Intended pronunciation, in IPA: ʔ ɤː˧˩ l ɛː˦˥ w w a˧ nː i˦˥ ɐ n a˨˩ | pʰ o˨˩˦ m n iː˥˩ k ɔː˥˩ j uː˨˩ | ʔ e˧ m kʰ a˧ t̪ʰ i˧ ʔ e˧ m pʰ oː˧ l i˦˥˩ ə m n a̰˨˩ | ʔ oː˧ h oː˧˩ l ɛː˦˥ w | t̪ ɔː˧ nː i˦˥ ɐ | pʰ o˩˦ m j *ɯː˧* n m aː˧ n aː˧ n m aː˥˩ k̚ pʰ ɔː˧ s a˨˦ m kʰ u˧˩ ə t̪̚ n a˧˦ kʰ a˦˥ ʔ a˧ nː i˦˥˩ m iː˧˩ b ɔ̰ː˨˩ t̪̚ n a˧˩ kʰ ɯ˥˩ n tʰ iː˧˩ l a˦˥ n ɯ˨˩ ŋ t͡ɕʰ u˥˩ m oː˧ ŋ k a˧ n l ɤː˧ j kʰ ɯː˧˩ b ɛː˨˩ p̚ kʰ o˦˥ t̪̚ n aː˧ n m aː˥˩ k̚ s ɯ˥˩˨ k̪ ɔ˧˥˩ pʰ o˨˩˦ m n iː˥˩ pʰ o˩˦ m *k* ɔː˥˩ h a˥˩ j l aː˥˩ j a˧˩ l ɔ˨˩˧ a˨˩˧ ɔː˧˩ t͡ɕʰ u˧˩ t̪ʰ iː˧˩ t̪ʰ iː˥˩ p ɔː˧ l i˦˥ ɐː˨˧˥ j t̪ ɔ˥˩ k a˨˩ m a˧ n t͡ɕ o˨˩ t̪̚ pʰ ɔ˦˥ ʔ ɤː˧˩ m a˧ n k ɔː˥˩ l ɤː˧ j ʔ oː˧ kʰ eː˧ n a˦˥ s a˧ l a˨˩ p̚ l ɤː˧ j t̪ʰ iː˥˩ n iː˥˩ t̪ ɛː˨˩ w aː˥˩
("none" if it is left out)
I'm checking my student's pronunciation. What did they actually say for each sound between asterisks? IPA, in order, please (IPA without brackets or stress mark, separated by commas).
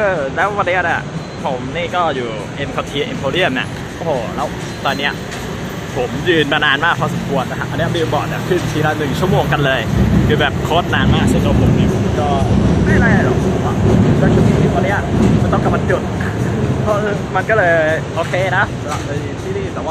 ɯː˧, k